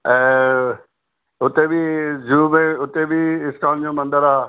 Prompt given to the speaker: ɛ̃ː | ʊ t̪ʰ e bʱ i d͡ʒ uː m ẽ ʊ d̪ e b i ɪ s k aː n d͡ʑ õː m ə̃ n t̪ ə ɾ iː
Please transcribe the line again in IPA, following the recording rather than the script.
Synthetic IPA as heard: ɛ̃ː | ʊ t̪ e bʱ i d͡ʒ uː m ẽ ʊ t̪ e b i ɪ s k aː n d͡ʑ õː m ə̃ n d̪ ə ɾ aː